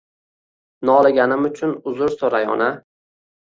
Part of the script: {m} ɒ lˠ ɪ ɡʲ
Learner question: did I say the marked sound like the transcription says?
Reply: no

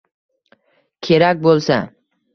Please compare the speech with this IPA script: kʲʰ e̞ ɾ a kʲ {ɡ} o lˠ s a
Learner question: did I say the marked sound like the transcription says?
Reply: no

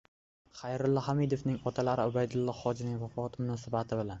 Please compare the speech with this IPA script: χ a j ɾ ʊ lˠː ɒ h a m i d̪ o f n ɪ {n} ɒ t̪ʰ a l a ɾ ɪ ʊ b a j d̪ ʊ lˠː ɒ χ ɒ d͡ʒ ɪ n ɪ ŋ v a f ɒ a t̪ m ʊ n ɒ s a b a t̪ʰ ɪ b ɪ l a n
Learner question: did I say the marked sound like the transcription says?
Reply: no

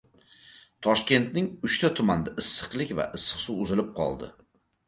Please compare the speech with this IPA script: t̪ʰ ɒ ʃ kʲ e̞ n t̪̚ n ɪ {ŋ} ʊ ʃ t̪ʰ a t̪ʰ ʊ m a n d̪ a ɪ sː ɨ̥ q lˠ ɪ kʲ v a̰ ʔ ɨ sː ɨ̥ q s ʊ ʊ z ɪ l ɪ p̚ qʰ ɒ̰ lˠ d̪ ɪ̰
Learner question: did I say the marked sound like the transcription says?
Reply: yes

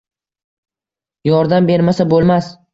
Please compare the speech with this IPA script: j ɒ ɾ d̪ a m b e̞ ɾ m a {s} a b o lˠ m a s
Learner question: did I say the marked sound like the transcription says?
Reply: yes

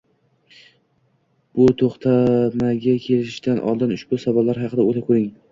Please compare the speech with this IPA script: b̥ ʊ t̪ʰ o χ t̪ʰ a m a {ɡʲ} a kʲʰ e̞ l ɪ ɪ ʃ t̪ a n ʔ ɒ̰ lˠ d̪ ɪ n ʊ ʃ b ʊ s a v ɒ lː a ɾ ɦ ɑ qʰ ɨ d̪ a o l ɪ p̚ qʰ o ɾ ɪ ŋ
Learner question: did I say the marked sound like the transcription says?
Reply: yes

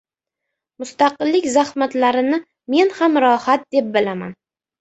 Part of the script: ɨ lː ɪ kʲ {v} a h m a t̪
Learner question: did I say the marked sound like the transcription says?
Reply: no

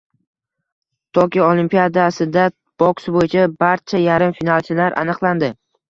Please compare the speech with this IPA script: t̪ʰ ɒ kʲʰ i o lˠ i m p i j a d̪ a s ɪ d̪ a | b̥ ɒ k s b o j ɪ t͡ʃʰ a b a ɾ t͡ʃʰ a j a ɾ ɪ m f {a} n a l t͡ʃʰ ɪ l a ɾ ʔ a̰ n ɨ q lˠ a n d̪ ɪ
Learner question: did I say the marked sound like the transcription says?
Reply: no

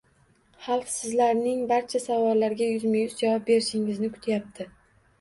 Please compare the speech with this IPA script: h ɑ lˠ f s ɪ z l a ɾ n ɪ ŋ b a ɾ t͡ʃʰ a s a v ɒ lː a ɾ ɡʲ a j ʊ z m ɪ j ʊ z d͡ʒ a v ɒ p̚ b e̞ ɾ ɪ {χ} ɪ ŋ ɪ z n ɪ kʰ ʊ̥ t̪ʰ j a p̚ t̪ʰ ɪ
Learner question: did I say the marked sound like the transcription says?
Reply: no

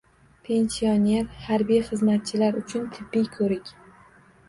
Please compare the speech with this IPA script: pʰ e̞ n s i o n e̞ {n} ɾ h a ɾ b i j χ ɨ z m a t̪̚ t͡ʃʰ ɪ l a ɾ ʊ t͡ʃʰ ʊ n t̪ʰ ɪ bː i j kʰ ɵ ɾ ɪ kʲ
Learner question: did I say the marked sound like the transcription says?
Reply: no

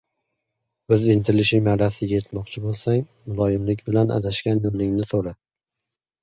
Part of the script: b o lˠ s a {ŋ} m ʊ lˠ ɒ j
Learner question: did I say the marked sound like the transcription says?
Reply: yes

